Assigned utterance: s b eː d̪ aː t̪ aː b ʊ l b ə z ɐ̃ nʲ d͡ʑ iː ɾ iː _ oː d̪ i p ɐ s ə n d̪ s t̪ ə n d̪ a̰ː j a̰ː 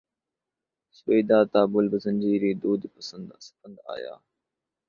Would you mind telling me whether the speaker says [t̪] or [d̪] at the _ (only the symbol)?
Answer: d̪